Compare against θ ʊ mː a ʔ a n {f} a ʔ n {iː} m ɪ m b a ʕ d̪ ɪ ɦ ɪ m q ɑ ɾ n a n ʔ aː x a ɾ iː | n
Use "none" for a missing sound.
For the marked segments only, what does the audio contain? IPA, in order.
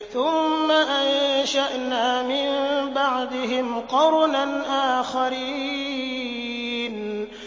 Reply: ʃ, aː

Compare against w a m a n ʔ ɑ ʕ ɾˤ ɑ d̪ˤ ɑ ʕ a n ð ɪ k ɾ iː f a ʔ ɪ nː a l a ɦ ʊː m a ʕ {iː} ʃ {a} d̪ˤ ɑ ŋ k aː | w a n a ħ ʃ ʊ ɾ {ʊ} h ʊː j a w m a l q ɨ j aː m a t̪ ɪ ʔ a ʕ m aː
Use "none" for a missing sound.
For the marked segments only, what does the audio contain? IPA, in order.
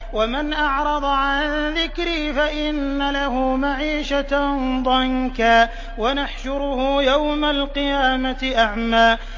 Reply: iː, a, ʊ

